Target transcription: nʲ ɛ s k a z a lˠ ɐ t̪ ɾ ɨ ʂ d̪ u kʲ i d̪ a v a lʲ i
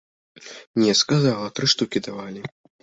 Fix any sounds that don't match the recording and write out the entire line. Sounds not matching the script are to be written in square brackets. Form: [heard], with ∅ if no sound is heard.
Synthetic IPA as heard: nʲ ɛ s k a z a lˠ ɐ t̪ ɾ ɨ ʂ [t̪] u kʲ i d̪ a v a lʲ i